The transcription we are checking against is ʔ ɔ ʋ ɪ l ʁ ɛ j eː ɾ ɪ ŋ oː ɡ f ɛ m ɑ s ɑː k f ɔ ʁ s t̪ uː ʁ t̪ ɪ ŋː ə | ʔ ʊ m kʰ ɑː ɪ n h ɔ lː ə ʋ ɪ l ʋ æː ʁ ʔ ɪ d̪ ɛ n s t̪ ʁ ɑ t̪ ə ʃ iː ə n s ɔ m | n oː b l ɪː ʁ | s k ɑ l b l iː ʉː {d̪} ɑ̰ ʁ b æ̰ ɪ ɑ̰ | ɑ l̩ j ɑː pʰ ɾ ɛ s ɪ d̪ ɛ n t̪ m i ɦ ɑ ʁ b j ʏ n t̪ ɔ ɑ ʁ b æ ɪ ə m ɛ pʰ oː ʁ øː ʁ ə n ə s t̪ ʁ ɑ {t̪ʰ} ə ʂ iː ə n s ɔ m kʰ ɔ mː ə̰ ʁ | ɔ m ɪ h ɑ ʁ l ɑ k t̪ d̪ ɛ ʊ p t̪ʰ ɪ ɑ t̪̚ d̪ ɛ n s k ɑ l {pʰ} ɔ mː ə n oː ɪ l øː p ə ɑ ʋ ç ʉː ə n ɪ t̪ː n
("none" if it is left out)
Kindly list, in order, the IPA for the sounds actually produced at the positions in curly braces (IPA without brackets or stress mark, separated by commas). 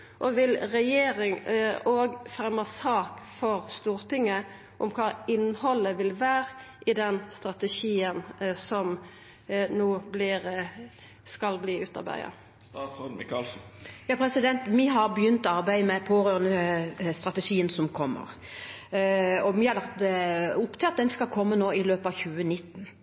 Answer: t̪, t̪, kʰ